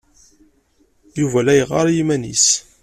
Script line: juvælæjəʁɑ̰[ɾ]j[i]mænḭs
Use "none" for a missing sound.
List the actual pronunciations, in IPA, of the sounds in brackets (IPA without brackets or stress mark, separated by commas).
ɾ, i